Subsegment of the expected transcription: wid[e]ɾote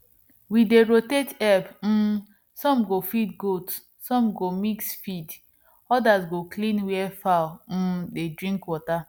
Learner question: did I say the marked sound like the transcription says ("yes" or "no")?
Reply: yes